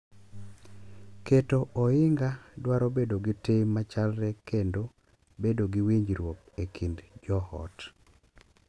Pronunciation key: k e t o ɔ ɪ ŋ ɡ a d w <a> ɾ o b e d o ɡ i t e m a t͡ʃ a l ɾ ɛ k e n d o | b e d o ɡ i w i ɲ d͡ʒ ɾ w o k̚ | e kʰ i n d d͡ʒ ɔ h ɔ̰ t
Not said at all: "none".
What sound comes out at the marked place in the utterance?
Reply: a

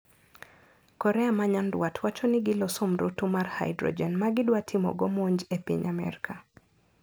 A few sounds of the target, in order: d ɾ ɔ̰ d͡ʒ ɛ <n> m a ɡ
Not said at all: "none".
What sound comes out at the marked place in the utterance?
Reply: n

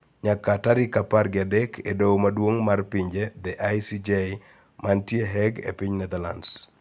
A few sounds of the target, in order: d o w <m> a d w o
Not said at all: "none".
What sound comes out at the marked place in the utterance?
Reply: m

